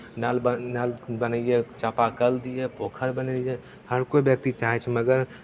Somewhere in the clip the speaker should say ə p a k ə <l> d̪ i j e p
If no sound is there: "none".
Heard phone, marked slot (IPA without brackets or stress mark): l